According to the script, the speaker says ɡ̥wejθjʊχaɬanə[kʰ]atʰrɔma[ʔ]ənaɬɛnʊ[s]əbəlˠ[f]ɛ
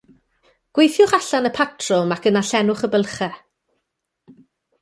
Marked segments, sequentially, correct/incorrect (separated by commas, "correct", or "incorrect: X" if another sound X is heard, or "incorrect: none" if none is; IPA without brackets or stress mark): incorrect: pʰ, incorrect: k, incorrect: χ, incorrect: χ